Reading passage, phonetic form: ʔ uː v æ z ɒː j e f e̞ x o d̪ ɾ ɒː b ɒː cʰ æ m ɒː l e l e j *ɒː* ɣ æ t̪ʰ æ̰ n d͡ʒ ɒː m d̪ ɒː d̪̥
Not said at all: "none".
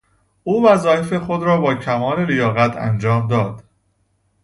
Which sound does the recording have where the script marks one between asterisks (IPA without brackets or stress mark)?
ɒː